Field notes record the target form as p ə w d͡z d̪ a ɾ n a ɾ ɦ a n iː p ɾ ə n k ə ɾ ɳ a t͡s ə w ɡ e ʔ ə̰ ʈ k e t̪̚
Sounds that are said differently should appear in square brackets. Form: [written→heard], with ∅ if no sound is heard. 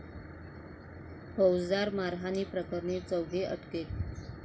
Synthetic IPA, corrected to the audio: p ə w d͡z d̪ a ɾ [n→m] a ɾ ɦ a n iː p ɾ ə [n→∅] k ə ɾ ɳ [a→e] t͡s ə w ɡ e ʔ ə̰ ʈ k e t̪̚